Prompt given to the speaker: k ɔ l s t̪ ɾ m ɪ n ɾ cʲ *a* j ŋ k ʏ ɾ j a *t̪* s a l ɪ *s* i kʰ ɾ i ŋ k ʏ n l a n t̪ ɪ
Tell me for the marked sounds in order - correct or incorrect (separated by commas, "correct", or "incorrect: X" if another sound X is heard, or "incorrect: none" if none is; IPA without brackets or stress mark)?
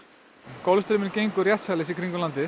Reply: incorrect: e, correct, correct